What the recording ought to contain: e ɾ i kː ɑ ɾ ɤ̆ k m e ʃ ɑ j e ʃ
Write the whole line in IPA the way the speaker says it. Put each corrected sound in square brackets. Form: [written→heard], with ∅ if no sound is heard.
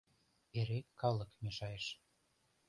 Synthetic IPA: e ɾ [i→e] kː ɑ [ɾ→l] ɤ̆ k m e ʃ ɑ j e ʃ

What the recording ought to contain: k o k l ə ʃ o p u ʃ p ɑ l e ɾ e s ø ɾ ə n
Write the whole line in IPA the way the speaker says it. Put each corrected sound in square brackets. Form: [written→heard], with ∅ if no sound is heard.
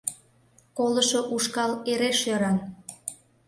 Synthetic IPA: k o [k→∅] l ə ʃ o [p→ʔ] u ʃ [p→k] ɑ l e ɾ e [s→ʃ] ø ɾ [ə→ɑ] n

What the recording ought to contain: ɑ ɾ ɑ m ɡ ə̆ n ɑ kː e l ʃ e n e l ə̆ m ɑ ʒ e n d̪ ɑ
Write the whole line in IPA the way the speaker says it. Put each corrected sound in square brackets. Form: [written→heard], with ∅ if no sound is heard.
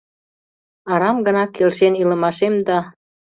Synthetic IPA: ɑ ɾ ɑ m ɡ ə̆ n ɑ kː e l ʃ e n [e→i] l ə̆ m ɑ [ʒ→ʃ] e [n→m] d̪ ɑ

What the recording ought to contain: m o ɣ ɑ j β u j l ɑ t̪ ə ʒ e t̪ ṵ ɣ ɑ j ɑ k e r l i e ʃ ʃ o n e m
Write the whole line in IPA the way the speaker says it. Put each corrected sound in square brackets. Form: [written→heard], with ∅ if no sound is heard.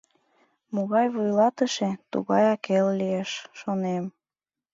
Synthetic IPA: m o ɣ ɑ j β u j l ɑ t̪ ə [ʒ→ʃ] e t̪ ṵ ɣ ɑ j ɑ k e [r→l] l i e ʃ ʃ o n e m

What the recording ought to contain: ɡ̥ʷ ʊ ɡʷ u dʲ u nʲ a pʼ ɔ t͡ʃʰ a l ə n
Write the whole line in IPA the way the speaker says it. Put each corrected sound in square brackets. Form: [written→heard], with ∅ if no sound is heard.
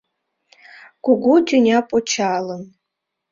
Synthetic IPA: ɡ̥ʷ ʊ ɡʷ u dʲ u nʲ a pʼ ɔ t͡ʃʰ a l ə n

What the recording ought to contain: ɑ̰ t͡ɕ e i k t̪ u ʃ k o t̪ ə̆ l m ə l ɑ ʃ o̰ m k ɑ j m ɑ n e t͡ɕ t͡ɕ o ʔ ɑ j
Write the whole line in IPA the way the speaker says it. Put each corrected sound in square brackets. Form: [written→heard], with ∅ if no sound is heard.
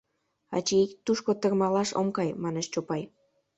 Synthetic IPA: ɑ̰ t͡ɕ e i k t̪ u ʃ k o t̪ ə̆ [l→r] m [ə→ɑ] l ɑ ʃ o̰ m k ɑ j m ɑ n e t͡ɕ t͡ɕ o [ʔ→p] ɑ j

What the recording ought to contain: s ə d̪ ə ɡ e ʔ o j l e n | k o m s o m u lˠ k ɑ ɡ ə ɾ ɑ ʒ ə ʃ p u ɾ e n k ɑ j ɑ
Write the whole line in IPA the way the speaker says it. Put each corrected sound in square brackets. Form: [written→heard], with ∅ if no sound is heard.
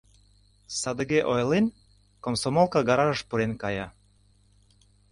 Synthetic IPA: s [ə→ɑ] d̪ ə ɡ e ʔ o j l e n | k o m s o m [u→o] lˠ k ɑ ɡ [ə→ɑ] ɾ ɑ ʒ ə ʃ p u ɾ e n k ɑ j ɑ

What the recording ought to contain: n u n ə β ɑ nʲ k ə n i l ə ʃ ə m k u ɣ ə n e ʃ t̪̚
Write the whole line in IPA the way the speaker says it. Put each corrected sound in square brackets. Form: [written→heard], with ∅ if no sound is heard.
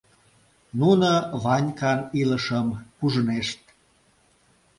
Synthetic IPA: n u n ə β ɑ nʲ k [ə→ɑ] n i l ə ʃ ə m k u [ɣ→ʒ] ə n e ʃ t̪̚

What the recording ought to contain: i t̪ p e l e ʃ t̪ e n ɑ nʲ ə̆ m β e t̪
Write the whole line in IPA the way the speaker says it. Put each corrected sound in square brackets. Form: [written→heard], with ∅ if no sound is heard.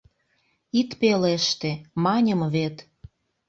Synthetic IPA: i t̪ p e l e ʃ t̪ e [n→m] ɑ nʲ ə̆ m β e t̪

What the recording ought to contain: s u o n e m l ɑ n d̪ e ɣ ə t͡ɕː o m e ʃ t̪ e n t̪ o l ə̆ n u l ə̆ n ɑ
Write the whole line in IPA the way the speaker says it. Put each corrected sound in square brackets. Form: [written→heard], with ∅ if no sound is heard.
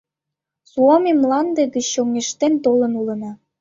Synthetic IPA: s u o [n→m] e m l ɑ n d̪ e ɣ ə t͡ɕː o [m→ŋ] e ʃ t̪ e n t̪ o l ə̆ n u l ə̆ n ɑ

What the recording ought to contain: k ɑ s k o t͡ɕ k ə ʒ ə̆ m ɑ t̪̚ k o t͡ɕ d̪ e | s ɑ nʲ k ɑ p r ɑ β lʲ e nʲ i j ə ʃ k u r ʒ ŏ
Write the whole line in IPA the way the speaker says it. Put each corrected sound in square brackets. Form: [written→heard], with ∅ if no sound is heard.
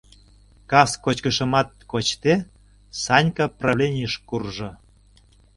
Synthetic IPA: k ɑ s k o t͡ɕ k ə [ʒ→ʃ] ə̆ m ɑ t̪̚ k o t͡ɕ [d̪→t̪] e | s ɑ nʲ k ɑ p r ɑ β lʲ e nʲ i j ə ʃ k u r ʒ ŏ

